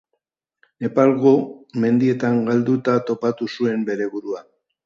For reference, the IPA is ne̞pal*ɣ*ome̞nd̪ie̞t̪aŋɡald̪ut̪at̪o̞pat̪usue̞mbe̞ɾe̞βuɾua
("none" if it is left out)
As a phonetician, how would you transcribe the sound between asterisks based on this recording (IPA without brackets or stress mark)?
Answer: ɣ